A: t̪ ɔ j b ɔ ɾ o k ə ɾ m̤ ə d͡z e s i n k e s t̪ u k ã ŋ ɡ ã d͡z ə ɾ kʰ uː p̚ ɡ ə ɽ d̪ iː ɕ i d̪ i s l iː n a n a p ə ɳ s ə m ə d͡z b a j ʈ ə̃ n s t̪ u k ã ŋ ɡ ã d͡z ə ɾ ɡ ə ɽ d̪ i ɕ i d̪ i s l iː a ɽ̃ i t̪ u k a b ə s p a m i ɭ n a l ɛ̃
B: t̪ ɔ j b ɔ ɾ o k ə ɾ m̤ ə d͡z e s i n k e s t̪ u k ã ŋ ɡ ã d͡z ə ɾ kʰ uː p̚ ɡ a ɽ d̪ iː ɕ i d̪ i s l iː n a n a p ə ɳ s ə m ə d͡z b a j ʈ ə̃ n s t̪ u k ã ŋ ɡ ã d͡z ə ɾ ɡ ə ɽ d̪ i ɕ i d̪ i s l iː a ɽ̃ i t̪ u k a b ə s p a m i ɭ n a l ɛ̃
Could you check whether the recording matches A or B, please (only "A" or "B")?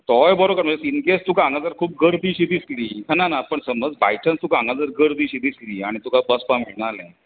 A